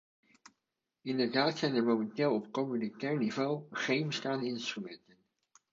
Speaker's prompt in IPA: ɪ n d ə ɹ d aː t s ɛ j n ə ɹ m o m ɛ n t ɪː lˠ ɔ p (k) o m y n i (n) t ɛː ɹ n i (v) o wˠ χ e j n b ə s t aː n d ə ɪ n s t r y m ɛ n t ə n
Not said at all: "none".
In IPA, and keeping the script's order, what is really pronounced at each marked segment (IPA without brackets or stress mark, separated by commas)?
k, none, v